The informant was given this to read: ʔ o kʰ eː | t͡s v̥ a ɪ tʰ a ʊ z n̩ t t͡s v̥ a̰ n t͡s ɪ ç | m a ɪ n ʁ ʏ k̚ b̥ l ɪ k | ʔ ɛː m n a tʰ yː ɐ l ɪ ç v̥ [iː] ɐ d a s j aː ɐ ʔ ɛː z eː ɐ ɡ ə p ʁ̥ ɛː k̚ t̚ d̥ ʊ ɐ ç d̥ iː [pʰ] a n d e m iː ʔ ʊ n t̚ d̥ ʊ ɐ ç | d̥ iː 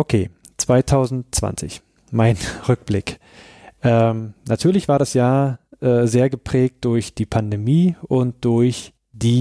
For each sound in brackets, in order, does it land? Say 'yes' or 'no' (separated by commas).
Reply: no, yes